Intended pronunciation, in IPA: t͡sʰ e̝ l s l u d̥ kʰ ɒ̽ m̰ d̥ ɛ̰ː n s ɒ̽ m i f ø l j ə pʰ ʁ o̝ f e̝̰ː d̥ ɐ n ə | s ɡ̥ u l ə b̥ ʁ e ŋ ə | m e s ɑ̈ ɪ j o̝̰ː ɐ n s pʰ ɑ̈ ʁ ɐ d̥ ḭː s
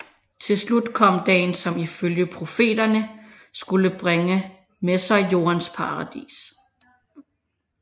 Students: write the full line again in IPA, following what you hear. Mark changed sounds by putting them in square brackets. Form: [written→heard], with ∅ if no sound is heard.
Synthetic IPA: t͡sʰ e̝ l s l u d̥ kʰ ɒ̽ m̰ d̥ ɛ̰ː n s ɒ̽ m i f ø l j ə pʰ ʁ o̝ f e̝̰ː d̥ ɐ n ə | s ɡ̥ u l ə b̥ ʁ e ŋ ə | m e s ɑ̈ ɪ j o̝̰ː ɐ n s pʰ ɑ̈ ʁ [ɐ→ɑ] d̥ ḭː s